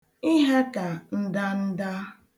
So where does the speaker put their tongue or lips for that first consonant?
throat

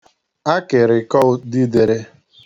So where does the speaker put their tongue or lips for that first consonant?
velum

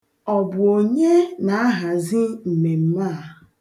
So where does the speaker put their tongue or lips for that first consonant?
lips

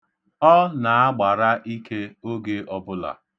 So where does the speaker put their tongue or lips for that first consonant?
tongue tip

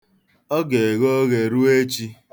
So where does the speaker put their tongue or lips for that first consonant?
velum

